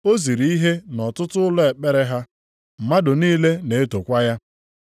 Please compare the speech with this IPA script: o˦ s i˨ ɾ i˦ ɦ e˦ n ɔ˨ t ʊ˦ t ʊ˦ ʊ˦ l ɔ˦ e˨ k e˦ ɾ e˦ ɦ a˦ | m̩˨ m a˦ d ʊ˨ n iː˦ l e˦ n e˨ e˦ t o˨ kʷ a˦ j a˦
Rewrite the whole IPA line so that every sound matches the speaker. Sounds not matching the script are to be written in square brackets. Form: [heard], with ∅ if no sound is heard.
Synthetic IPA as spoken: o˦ [z] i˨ ɾ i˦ ɦ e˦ n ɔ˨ t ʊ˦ t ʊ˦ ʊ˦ l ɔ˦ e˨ [k͡p] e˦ ɾ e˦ ɦ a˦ | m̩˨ m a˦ d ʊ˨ n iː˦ l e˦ n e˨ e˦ t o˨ kʷ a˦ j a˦